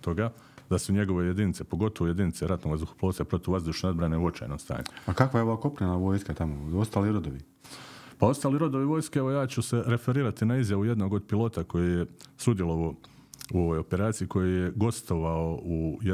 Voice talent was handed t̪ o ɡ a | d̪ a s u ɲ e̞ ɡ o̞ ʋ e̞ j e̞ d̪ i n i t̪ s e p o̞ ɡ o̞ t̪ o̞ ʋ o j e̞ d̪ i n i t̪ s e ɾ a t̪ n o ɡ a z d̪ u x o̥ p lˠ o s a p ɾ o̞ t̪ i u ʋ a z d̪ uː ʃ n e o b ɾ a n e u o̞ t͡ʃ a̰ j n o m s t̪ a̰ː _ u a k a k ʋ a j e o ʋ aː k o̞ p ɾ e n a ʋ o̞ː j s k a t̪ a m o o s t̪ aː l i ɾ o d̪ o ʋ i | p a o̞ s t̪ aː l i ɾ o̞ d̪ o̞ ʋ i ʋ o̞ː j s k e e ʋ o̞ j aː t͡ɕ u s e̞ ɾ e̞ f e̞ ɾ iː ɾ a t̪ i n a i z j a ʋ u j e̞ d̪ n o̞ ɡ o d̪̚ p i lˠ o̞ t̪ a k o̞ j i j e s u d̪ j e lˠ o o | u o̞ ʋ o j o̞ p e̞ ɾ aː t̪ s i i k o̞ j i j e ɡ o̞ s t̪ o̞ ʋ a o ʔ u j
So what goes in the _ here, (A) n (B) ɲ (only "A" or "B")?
B